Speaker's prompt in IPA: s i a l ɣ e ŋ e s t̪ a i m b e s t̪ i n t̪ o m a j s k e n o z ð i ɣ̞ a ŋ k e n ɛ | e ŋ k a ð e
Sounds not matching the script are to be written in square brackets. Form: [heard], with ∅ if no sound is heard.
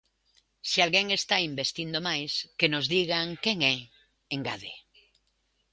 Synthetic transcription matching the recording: s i a l ɣ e ŋ e s t̪ a i m b e s t̪ i n [d̪] o m a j s k e n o z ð i ɣ̞ a ŋ k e [ŋ] ɛ | e ŋ [ɡ] a ð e